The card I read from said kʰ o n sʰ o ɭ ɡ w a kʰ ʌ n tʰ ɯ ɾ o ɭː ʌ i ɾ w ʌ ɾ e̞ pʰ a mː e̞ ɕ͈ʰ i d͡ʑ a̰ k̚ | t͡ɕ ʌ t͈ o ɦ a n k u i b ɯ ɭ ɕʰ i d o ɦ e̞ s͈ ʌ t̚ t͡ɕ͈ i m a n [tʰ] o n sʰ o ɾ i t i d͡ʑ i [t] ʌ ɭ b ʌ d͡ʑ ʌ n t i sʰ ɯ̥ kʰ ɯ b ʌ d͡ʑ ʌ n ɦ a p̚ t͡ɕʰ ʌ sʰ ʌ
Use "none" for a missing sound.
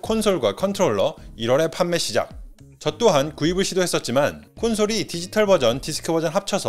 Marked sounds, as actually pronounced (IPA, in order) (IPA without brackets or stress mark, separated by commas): kʰ, tʰ